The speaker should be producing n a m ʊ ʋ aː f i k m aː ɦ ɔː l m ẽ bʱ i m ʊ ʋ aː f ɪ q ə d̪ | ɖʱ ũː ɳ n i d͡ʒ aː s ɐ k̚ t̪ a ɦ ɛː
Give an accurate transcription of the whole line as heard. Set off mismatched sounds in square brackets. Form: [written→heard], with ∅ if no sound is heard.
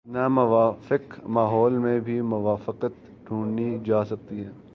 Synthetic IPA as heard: n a m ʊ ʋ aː f [i→ɪ] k m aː ɦ ɔː l m ẽ bʱ i m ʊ ʋ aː f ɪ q ə [d̪→t̪] | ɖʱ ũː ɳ n i d͡ʒ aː s ɐ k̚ t̪ [a→i] ɦ ɛː